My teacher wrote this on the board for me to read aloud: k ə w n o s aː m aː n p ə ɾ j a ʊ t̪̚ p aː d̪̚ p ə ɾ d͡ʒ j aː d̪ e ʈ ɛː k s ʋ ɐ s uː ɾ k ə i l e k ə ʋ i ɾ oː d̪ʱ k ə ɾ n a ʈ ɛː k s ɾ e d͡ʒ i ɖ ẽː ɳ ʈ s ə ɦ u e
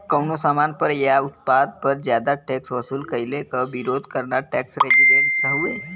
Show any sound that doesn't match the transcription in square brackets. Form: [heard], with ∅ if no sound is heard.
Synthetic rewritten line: k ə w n o s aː m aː n p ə ɾ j a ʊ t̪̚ p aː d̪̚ p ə ɾ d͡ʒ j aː d̪ [a] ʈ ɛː k s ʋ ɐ s uː [l] k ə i l e k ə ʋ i ɾ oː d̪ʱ k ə ɾ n a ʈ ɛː k s ɾ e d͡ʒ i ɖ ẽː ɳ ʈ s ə ɦ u e